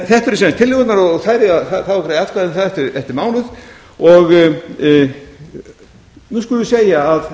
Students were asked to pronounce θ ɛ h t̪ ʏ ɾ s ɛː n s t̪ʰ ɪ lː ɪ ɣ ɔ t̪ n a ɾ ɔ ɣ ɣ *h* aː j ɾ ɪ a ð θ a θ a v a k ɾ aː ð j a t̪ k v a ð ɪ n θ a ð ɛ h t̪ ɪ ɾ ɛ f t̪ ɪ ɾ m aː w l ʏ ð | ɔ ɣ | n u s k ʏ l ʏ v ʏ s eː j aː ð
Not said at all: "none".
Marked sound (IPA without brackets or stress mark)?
θ